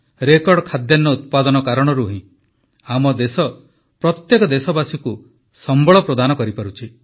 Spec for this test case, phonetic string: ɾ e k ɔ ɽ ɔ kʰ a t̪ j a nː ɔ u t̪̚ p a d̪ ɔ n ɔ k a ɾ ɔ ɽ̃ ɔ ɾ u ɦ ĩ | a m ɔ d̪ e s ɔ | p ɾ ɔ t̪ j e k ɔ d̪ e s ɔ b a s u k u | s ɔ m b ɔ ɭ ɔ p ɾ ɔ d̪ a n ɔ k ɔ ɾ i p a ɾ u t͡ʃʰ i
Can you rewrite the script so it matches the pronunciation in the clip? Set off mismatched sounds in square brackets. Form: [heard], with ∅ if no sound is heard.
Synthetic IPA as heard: ɾ e k ɔ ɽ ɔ kʰ a [d̪] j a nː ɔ u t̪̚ p a d̪ ɔ n ɔ k a ɾ ɔ ɽ̃ ɔ ɾ u ɦ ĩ | a m ɔ d̪ e s ɔ | p ɾ ɔ t̪ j e k ɔ d̪ e s ɔ b a s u k u | s ɔ m b ɔ ɭ ɔ p ɾ ɔ d̪ a n ɔ k ɔ ɾ i p a ɾ u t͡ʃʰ i